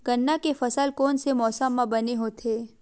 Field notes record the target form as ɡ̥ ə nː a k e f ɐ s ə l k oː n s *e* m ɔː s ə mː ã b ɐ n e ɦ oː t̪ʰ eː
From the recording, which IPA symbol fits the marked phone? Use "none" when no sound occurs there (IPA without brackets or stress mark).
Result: e